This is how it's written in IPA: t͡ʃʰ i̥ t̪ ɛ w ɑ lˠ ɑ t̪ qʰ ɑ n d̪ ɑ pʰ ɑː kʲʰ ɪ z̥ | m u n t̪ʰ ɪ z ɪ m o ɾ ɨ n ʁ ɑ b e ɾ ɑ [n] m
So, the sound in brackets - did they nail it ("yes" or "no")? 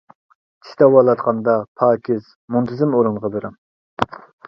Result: no